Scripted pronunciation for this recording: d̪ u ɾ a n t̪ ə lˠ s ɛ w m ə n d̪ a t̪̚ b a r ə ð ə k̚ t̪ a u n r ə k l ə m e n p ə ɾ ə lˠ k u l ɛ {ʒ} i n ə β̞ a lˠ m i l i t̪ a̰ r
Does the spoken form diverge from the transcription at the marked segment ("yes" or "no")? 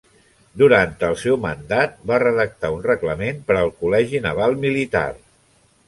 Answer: no